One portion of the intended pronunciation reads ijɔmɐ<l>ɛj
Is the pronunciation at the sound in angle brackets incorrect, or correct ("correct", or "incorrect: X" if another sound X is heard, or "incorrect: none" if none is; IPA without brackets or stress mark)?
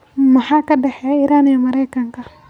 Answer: incorrect: ɾ